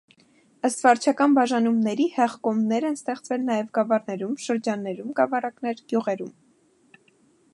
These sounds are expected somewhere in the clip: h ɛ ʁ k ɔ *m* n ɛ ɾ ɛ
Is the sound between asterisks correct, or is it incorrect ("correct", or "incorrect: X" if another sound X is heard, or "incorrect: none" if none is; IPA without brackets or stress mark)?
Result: correct